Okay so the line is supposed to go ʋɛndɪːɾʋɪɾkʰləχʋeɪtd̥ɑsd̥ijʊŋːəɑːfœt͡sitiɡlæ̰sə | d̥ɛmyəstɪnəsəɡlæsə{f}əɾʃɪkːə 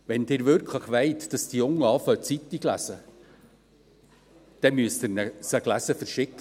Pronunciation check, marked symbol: correct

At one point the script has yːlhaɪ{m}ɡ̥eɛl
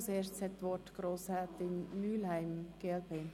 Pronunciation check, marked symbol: correct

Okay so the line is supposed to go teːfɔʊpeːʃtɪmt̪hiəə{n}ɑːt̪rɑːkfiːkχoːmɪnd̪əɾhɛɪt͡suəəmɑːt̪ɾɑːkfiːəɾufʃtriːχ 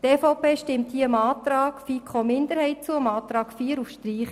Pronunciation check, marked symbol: incorrect: m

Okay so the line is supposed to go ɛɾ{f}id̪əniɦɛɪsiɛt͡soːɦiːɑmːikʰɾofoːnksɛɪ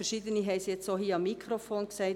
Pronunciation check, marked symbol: incorrect: ʃ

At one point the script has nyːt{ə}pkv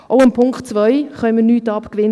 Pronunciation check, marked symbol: incorrect: ɑ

